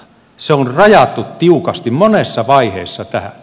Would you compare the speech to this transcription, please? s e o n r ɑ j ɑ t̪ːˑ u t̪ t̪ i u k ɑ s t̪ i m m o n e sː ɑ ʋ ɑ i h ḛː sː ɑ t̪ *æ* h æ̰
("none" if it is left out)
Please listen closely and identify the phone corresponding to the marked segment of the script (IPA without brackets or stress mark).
æ